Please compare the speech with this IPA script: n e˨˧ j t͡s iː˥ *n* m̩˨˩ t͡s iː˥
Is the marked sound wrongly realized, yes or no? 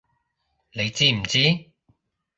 yes